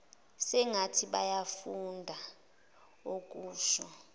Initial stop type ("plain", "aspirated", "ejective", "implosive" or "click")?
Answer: aspirated